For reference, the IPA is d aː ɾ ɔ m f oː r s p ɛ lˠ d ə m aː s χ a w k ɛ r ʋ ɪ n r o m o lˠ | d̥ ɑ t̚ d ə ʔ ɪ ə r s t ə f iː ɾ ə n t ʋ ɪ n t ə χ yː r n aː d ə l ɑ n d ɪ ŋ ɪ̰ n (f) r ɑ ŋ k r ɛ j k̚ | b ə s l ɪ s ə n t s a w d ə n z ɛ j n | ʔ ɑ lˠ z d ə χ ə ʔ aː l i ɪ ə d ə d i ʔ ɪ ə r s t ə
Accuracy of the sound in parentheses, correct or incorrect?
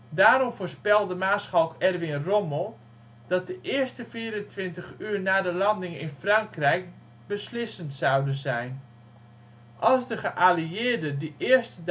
correct